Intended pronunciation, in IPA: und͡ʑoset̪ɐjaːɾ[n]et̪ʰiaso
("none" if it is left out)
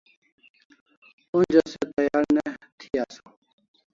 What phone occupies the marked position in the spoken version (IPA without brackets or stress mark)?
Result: n